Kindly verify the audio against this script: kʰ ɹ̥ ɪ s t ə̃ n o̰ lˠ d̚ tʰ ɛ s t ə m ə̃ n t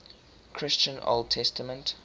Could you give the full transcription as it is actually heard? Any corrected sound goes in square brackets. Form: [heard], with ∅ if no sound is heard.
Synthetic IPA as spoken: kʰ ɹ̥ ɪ s [t͡ʃ] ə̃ n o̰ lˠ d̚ tʰ ɛ s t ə m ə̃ n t